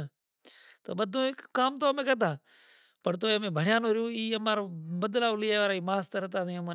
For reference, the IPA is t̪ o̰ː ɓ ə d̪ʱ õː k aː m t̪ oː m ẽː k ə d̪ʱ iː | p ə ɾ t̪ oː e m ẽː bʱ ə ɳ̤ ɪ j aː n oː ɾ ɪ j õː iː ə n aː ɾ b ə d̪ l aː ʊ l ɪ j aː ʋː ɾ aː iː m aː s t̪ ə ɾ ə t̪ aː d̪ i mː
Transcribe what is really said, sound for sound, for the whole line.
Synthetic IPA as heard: t̪ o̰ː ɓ ə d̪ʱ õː k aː m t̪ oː m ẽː k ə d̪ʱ aː | p ə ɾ t̪ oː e m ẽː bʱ ə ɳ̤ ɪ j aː n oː ɾ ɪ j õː iː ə m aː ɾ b ə d̪ l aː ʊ l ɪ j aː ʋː ɾ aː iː m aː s t̪ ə ɾ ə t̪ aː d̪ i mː